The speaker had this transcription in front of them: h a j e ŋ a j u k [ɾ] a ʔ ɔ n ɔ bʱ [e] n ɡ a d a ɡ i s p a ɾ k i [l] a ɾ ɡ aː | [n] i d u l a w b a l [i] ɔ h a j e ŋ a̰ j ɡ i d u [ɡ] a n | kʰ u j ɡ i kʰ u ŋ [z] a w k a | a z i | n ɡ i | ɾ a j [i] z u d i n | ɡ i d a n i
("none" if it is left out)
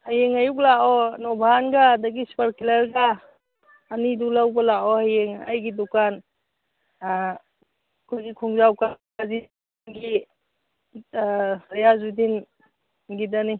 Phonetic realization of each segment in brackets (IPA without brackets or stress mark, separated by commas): l, a, l, n, a, k, z, a